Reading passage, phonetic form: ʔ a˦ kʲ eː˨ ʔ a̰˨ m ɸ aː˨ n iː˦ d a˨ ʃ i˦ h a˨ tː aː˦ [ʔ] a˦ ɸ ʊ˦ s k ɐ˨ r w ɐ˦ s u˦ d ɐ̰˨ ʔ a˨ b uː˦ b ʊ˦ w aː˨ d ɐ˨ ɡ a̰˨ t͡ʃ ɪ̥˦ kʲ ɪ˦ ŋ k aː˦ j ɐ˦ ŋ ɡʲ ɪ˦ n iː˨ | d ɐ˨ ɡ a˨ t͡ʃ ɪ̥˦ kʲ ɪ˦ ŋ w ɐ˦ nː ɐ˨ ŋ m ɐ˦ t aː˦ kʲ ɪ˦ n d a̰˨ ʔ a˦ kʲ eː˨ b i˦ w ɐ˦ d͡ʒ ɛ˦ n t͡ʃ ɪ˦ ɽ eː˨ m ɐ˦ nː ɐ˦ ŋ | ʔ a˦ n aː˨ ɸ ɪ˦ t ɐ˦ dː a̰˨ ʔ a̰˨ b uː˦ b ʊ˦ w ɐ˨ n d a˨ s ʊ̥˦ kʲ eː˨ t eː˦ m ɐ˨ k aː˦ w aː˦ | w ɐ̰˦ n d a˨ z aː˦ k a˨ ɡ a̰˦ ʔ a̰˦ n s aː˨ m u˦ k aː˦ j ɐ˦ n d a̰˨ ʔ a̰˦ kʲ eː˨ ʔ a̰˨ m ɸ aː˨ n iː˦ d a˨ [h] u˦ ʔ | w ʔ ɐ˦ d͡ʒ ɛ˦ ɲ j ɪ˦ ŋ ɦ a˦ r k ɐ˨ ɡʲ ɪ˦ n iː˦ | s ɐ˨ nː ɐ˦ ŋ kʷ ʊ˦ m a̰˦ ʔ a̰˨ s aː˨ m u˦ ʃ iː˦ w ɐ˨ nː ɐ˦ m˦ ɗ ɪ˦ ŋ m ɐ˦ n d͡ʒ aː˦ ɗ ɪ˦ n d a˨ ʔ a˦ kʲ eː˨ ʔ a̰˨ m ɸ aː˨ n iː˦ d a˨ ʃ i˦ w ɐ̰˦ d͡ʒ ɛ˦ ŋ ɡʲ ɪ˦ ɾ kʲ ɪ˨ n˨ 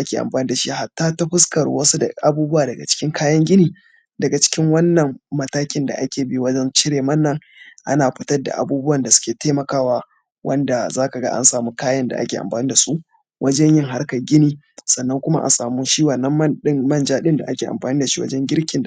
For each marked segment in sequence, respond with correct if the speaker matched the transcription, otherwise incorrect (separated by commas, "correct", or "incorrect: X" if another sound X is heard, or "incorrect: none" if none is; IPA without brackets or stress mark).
incorrect: t, incorrect: s